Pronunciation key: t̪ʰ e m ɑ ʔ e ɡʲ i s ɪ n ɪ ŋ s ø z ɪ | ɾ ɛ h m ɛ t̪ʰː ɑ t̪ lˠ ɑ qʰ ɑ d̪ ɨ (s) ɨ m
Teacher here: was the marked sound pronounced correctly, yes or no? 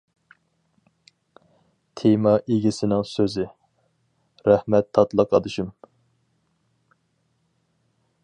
no